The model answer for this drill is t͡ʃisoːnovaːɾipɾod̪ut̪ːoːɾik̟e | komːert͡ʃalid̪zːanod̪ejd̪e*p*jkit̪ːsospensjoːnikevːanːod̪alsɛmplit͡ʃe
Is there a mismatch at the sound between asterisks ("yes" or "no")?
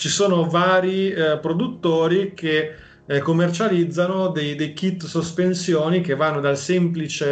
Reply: yes